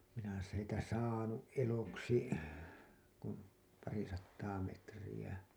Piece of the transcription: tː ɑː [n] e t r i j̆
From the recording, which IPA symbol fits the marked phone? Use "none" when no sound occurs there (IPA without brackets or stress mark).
m